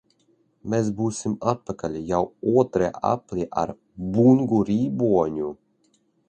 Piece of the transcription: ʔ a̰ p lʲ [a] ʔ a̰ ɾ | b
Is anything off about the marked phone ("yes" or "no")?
yes